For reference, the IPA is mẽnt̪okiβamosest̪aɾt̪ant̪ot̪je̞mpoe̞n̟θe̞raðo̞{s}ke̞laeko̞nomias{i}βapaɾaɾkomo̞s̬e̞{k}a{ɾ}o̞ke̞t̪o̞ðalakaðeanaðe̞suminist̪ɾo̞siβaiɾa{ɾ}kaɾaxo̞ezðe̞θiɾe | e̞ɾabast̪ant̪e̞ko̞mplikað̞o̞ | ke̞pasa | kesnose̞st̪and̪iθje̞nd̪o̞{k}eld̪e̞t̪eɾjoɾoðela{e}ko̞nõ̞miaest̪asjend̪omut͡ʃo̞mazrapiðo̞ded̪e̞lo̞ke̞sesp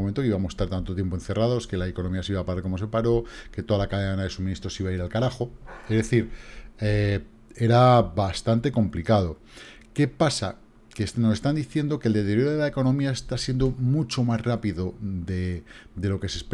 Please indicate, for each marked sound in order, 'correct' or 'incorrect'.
correct, correct, incorrect: p, correct, incorrect: l, correct, correct

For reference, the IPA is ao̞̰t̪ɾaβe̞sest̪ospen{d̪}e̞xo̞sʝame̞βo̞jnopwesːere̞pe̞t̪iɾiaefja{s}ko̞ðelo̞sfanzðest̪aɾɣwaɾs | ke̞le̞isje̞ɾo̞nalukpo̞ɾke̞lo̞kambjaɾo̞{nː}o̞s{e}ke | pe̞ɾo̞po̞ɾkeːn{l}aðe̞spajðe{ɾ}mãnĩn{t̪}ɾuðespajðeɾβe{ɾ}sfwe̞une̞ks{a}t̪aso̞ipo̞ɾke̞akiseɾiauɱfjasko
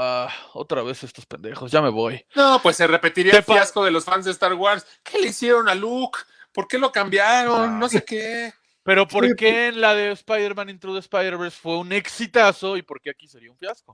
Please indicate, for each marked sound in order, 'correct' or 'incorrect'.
correct, correct, correct, correct, correct, correct, correct, correct, incorrect: i

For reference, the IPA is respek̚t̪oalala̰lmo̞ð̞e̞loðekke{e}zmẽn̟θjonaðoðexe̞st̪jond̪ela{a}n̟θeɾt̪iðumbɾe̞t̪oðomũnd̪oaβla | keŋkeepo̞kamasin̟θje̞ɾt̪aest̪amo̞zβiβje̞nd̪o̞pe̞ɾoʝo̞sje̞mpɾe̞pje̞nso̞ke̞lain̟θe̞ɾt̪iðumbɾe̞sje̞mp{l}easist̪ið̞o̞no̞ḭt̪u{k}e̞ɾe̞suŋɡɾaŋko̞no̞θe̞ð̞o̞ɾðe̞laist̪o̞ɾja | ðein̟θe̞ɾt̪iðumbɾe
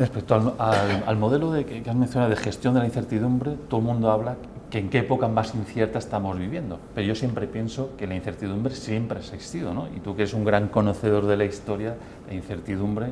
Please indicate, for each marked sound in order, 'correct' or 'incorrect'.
incorrect: a, incorrect: i, incorrect: ɾ, correct

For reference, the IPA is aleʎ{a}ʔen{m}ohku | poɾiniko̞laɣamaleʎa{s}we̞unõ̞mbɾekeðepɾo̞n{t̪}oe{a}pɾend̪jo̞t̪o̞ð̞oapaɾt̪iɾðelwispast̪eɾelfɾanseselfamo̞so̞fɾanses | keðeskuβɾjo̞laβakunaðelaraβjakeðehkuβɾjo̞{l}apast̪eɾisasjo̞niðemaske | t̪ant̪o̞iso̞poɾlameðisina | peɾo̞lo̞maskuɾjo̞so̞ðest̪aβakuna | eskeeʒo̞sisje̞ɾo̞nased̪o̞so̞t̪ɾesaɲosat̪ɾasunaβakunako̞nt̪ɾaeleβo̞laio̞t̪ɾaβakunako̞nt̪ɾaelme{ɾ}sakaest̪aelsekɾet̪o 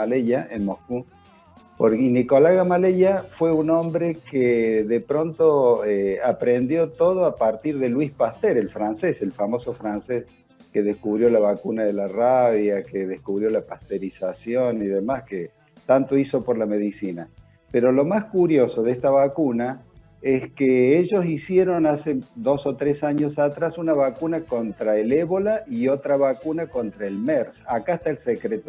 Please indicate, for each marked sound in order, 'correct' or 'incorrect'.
correct, correct, incorrect: f, correct, correct, correct, correct

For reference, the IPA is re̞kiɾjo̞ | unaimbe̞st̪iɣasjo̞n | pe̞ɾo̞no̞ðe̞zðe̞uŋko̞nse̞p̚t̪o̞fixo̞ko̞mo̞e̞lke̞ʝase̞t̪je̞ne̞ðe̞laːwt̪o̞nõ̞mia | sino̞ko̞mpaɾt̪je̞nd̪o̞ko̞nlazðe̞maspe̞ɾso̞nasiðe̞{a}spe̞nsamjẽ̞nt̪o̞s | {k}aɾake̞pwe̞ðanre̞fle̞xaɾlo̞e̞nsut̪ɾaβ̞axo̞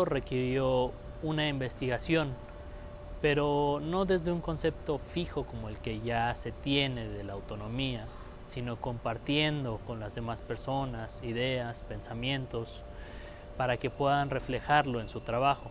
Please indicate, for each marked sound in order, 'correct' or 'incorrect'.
correct, incorrect: p

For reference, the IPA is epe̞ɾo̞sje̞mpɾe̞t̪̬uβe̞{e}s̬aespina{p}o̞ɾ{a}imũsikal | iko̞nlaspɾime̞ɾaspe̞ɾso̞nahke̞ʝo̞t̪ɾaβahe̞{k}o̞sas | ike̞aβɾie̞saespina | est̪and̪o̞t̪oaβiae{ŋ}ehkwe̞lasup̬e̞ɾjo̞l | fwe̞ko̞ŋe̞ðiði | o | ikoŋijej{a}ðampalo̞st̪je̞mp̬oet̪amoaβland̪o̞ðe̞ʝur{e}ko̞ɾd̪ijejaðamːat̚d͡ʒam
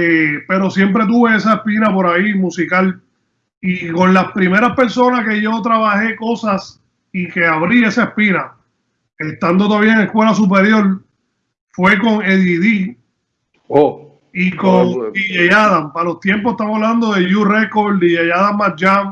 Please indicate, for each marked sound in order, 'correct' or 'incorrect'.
correct, correct, correct, correct, correct, correct, correct

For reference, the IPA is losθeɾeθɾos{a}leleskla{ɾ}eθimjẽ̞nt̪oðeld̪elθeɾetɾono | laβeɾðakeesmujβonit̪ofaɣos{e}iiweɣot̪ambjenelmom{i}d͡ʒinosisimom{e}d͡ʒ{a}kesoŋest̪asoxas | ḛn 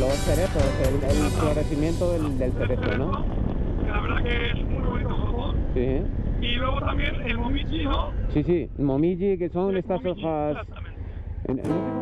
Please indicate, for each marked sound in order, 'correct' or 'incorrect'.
incorrect: e, correct, incorrect: i, correct, incorrect: i, incorrect: i

